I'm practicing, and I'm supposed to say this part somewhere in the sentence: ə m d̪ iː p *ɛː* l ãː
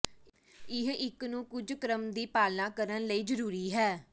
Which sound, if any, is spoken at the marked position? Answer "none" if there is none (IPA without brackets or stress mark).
aː